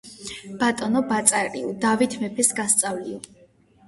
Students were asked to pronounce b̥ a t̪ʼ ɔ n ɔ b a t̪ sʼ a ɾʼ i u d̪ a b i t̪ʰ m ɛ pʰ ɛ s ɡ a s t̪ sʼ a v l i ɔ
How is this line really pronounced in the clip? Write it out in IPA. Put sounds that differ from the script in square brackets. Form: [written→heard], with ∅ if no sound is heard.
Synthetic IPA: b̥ a t̪ʼ ɔ n ɔ b a t̪ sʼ a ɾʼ i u d̪ a [b→v] i t̪ʰ m ɛ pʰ ɛ s ɡ a s t̪ sʼ a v l i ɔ